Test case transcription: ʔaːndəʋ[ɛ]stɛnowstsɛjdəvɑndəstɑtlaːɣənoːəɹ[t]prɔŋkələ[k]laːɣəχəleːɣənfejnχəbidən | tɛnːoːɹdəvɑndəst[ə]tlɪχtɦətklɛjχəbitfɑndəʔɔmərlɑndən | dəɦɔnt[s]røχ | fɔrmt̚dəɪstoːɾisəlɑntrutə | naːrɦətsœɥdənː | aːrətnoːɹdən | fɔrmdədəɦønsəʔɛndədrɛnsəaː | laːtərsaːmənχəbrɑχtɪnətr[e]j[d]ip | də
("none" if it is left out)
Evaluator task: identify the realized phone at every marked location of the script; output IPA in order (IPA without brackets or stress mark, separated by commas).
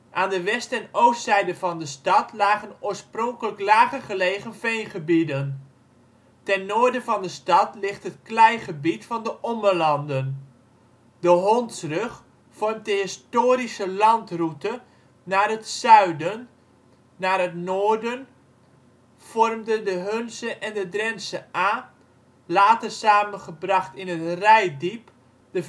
ɛ, s, k, ɑ, s, ɛ, d